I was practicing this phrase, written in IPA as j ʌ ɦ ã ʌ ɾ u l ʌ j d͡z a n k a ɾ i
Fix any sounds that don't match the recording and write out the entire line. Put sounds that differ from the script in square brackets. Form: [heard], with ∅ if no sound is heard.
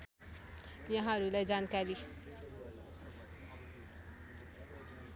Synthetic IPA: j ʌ ɦ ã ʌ ɾ u l [a] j d͡z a n k a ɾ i